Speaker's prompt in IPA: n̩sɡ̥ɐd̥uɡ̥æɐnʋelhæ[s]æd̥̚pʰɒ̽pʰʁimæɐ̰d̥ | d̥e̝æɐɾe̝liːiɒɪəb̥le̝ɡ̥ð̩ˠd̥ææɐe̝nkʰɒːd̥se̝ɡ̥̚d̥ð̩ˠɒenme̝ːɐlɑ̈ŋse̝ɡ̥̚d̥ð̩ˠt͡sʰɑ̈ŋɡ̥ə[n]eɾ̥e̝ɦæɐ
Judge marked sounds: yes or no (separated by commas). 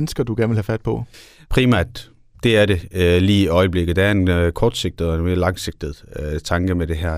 no, no